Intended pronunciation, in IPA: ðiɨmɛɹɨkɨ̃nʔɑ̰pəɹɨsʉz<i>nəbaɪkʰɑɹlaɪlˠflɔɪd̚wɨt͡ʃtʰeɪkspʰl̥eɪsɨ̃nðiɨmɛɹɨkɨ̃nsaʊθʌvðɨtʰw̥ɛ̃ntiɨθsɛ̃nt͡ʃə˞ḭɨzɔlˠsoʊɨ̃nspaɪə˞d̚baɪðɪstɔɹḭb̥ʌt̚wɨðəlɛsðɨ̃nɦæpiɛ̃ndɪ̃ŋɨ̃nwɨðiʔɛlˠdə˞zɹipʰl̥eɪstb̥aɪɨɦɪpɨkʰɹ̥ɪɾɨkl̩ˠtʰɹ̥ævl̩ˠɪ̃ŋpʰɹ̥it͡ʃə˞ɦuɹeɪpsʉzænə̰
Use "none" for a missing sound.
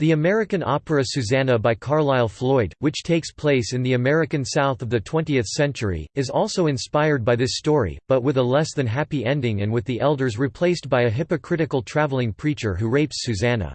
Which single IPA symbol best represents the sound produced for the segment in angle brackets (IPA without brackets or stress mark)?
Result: æ